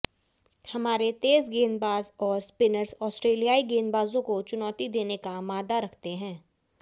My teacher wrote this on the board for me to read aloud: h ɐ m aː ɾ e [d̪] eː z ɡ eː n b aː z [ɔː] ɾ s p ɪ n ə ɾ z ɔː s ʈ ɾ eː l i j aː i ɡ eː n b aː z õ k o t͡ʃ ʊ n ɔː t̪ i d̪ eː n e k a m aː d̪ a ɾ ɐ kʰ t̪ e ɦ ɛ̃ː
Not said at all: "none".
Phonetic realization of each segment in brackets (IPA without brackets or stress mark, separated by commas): t̪, ɔː